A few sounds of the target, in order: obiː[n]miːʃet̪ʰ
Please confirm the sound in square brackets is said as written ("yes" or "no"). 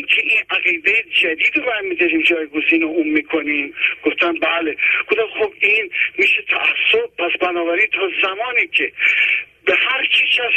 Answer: yes